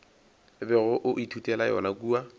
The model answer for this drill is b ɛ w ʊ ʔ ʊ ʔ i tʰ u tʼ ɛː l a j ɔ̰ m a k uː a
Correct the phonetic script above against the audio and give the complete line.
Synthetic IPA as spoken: b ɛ ɣ ʊ ʔ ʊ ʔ i tʰ u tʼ ɛ l a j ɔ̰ n a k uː a

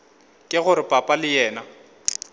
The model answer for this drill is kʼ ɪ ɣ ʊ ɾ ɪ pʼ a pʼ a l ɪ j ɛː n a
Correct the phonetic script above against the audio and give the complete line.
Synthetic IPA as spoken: kʼ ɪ ɣ ʊ ɾ ɪ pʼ a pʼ a l ɪ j ɛː n a

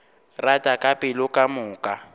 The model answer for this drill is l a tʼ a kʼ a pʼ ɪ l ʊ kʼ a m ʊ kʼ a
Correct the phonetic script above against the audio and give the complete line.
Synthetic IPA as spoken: r a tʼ a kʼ a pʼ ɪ l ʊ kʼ a m ʊː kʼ a

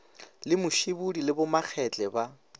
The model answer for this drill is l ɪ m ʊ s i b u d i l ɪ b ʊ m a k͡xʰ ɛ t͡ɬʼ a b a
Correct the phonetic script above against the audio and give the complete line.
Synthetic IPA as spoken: l ɪ m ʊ ʃ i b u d i l ɪ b ʊ m a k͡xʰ ɛ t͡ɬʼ ɛ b a

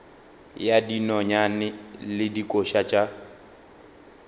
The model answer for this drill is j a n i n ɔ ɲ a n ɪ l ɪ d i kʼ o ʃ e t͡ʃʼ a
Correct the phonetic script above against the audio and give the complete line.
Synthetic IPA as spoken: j a d i n ɔ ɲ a n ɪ l ɪ d i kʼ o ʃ a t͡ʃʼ a

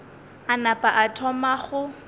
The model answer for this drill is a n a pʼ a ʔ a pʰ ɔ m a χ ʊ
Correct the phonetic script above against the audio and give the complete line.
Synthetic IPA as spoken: a n a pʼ a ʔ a tʰ ɔ m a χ ʊ

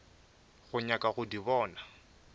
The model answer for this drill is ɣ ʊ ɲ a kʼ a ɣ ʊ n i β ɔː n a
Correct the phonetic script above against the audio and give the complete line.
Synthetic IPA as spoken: ɣ ʊ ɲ a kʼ a ɣ ʊ d i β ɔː n a

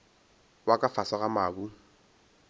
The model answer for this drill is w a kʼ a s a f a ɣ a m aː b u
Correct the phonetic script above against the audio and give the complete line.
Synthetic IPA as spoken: w a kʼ a f a s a ɣ a m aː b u

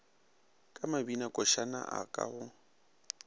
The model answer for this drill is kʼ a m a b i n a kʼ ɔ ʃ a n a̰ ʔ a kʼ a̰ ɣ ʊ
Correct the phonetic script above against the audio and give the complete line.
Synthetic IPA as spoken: kʼ a m a b i n a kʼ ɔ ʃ a n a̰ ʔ a kʼ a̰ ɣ ʊ

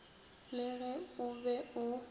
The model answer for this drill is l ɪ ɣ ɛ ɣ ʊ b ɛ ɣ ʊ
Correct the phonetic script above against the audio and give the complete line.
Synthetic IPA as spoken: l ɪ ɣ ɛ ʊ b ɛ ʊ

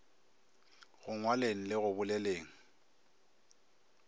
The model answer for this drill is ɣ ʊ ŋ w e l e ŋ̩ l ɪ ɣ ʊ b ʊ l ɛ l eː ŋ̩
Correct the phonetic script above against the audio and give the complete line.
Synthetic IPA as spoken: ɣ ʊ ŋ w a l e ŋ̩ l ɪ ɣ ʊ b ʊ l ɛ l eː ŋ̩

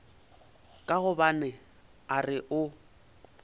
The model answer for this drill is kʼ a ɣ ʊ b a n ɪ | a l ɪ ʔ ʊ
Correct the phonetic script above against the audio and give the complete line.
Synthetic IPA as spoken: kʼ a ɣ ʊ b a n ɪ | a r ɪ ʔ ʊ

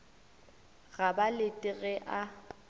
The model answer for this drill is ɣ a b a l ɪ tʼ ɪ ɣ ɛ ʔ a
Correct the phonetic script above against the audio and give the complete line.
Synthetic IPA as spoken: ɣ a b a l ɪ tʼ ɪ ɣ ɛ ʔ a

